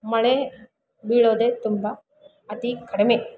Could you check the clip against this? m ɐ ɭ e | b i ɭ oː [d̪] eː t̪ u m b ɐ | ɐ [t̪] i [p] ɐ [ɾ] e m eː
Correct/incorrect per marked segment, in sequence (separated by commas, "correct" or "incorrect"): correct, correct, incorrect, incorrect